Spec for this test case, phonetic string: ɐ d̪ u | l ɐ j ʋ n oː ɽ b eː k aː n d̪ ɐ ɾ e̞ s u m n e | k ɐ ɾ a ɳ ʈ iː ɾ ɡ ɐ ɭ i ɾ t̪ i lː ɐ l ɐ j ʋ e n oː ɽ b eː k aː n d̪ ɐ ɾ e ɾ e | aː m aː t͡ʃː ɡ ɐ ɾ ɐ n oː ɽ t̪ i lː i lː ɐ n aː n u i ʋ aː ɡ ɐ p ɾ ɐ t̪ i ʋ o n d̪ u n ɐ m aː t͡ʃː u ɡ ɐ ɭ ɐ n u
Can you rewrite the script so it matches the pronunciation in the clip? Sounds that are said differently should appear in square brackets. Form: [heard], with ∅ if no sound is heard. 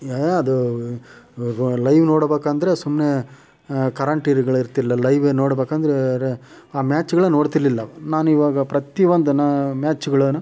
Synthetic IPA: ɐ d̪ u | l ɐ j ʋ n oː ɽ b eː k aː n d̪ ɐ ɾ e̞ s u m n e | k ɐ ɾ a ɳ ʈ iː ɾ ɡ ɐ ɭ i ɾ t̪ i lː ɐ l ɐ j ʋ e n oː ɽ b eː k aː n d̪ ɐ ɾ e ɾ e | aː m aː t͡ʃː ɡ ɐ [ɭ] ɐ n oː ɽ t̪ i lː i lː ɐ n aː n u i ʋ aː ɡ ɐ p ɾ ɐ t̪ i ʋ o n d̪ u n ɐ m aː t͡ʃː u ɡ ɐ ɭ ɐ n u